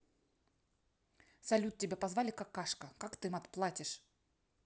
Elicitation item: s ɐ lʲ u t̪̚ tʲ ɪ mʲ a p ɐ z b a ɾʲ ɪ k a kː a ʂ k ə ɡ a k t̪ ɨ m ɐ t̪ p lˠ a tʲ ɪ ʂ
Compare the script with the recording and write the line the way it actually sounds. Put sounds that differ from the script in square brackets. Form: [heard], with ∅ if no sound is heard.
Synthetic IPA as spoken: s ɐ lʲ u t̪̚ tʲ ɪ [bʲ] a p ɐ z [v] a [lʲ] ɪ k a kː a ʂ k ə [k] a k t̪ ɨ m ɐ t̪ p lˠ a tʲ ɪ ʂ